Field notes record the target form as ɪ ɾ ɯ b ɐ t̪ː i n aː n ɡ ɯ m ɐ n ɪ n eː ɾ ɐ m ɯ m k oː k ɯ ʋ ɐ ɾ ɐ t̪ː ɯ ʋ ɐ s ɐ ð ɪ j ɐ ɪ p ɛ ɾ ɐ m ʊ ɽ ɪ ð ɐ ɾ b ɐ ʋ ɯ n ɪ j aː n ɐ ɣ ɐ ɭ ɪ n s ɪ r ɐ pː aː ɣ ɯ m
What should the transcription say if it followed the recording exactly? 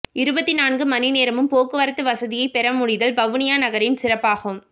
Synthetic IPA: ɪ ɾ ɯ b ɐ t̪ː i n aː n ɡ ɯ m ɐ n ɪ n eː ɾ ɐ m ɯ m p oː k ɯ ʋ ɐ ɾ ɐ t̪ː ɯ ʋ ɐ s ɐ ð ɪ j ɐ ɪ p ɛ ɾ ɐ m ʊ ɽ ɪ ð ɐ l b ɐ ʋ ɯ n ɪ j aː n ɐ ɣ ɐ ɾ ɪ n s ɪ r ɐ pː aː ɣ ɯ m